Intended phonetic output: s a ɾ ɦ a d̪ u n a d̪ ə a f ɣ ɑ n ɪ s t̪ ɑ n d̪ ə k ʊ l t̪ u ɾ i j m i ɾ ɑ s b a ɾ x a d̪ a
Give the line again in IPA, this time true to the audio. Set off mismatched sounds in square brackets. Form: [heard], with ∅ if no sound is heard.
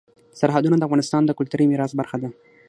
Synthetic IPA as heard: s a ɾ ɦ a d̪ u n a d̪ ə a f ɣ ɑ n ɪ s t̪ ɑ n d̪ ə k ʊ l t̪ u ɾ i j m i ɾ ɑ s b a ɾ x a d̪ a

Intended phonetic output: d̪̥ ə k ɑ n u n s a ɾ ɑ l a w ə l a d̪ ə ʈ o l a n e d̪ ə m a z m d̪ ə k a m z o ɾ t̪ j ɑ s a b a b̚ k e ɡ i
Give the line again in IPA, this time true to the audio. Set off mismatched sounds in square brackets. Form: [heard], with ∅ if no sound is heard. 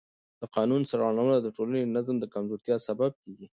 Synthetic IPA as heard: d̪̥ ə [q] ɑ n u n s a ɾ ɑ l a w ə l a d̪ ə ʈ o l a n e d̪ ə [n] a z m d̪ ə k a m z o ɾ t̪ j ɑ s a b a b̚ k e ɡ i

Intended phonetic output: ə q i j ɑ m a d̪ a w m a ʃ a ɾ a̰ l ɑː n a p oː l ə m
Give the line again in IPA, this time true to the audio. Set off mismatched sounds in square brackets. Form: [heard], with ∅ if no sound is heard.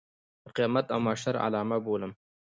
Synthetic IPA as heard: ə q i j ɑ m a [t̪] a w m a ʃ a ɾ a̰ l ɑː [m] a [b] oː l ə m

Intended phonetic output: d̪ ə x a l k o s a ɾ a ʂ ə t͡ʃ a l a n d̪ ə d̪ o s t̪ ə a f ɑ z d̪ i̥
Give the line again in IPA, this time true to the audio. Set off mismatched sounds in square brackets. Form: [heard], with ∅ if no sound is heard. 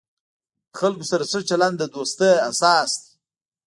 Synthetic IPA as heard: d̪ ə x a l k o s a ɾ a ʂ ə t͡ʃ a l a n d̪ ə d̪ o s t̪ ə a [s] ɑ [s] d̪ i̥

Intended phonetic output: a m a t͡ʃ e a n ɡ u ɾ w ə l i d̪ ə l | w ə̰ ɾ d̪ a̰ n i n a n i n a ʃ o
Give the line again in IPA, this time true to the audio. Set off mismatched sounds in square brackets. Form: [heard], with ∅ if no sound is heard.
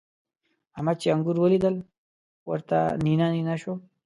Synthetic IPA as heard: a m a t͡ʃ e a [ŋ] ɡ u ɾ w ə l i d̪ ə l | w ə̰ ɾ [t̪] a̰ n i n a n i n a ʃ o

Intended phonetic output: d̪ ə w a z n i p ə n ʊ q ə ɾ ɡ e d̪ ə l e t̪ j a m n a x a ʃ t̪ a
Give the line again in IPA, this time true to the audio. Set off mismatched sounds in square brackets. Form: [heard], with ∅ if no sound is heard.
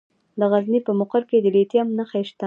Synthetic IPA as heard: d̪ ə [ɣ] a z n i p ə [m] ʊ q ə ɾ [k] e d̪ ə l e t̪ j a m n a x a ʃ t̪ a

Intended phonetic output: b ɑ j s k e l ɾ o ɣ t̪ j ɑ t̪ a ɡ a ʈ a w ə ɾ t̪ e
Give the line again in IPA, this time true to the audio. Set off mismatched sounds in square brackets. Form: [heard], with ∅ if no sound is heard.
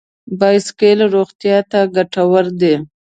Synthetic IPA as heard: b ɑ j s k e l ɾ o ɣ t̪ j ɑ t̪ a ɡ a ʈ a w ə ɾ [d̪] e

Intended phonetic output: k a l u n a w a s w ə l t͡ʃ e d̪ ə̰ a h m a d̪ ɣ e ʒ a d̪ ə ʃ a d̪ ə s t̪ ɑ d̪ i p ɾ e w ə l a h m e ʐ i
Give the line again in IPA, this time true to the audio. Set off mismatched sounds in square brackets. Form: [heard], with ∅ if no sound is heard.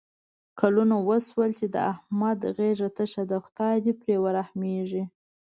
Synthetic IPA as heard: k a l u n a w [ə] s w ə l t͡ʃ e d̪ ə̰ a h m a d̪ ɣ e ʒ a [t̪] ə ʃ a d̪ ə [x] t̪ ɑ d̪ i p ɾ e w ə [ɾ] a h m e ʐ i

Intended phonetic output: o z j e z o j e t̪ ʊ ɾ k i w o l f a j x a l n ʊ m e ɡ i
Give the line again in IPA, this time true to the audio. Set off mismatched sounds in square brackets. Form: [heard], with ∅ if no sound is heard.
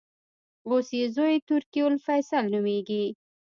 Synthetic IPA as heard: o [s] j e z o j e t̪ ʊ ɾ k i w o l f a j [s] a l n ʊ m e ɡ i

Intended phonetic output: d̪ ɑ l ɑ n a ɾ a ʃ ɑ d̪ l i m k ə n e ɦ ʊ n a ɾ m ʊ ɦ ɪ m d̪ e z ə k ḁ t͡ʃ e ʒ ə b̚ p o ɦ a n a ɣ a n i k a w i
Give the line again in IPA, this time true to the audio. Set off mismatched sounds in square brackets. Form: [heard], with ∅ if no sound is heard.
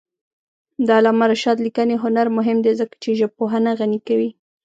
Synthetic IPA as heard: d̪ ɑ l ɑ [m] a ɾ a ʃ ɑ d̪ l i [∅] k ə n e ɦ ʊ n a ɾ m ʊ ɦ ɪ m d̪ e z ə k ḁ t͡ʃ e ʒ ə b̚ p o ɦ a n a ɣ a n i k a w i

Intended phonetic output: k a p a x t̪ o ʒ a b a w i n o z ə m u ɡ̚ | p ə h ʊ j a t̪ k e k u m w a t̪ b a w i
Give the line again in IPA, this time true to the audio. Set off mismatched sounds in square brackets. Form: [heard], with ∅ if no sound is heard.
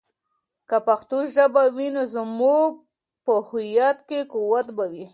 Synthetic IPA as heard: k a p a x t̪ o ʒ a b a w i n o z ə m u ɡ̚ | p ə h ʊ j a t̪ k e k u [∅] w a t̪ b a w i

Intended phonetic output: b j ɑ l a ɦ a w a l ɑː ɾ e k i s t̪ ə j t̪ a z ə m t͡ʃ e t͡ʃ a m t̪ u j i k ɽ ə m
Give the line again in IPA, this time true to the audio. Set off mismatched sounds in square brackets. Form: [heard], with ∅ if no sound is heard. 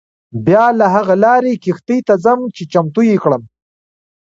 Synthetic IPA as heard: b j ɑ l a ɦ a [ɣ] a l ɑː ɾ e k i [x] t̪ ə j t̪ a z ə m t͡ʃ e t͡ʃ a m t̪ u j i k ɽ ə m

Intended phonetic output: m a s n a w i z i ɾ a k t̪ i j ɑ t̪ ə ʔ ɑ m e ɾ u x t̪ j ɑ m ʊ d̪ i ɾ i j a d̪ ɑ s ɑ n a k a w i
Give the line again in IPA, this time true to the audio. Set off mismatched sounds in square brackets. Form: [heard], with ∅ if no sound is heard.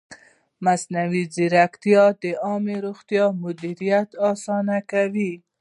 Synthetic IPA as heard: m a s n a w i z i ɾ a k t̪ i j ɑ [d̪] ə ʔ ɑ m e ɾ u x t̪ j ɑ m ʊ d̪ i ɾ i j a [t̪] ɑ s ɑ n a k a w i

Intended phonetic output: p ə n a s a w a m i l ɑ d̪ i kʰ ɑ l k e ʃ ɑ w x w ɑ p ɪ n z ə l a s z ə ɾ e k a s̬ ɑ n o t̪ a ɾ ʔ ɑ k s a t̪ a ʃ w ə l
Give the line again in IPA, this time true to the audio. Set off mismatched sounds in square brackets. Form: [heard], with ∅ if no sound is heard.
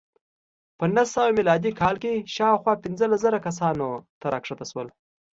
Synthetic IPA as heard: p ə n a s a w a m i l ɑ d̪ i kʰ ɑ l k e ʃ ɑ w x w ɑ p ɪ n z ə l a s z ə ɾ [a] k a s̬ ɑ n o t̪ a ɾ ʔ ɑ k [ʂ] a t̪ a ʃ w ə l

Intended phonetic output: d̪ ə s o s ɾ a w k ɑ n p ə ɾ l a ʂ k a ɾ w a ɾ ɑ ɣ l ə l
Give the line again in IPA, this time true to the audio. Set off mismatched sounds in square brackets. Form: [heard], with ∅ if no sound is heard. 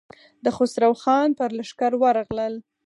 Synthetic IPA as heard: d̪ ə [x] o s ɾ a w [x] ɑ n p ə ɾ l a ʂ k a ɾ w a ɾ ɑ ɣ l ə l

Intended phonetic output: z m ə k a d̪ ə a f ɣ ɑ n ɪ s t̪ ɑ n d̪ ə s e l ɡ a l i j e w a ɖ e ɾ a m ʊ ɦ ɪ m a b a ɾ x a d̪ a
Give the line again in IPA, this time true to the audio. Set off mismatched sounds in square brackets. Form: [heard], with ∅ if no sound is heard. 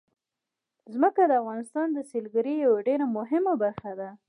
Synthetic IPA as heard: z m ə k a d̪ ə a f ɣ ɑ n ɪ s t̪ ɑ n d̪ ə s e l ɡ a [ɾ] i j [a] w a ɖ e ɾ a m ʊ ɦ ɪ m a b a ɾ x a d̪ a

